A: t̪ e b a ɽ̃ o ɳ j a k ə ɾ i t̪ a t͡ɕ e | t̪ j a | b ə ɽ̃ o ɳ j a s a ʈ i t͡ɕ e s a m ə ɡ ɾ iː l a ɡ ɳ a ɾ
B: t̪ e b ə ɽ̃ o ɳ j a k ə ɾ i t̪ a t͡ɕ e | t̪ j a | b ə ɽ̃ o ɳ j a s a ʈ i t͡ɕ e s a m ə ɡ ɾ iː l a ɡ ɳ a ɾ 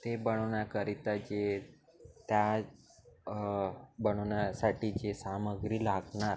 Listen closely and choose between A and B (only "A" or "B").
B